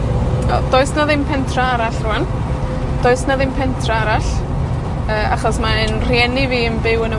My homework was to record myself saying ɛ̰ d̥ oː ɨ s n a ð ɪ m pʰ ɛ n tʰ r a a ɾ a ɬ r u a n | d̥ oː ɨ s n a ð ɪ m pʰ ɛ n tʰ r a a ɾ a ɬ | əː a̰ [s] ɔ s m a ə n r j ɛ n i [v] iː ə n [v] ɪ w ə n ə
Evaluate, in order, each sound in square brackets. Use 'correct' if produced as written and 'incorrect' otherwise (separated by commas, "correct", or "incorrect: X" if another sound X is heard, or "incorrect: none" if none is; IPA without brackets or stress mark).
incorrect: χ, correct, incorrect: b